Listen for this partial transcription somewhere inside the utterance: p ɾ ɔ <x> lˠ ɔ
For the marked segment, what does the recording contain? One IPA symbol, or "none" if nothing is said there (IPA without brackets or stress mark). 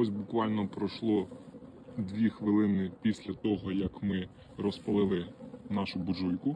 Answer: ʃ